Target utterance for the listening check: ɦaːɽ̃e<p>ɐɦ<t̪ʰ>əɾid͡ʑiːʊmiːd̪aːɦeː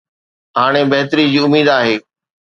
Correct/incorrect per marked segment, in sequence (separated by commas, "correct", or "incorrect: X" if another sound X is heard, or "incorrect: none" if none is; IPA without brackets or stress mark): incorrect: b, incorrect: t̪